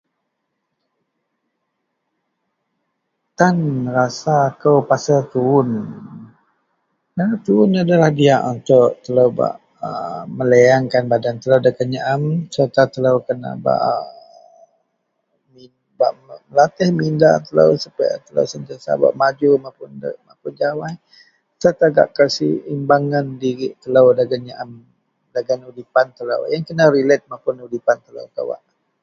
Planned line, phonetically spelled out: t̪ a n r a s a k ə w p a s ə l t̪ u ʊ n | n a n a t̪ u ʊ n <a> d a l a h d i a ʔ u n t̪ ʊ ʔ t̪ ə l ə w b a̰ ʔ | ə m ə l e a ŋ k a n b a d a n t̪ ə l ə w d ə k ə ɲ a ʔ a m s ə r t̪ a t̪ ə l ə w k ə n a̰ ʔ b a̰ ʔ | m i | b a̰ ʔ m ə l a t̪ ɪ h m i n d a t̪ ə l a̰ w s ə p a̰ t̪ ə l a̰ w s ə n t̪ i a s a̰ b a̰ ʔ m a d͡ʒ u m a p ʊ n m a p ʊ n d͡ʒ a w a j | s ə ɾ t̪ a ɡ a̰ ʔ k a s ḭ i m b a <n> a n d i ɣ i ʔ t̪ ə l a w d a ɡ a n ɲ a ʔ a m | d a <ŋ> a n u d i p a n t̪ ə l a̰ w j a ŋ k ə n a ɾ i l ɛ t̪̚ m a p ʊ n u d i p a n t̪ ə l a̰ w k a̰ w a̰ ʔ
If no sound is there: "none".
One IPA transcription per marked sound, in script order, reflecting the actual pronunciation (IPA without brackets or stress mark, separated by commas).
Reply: a, ŋ, ɡ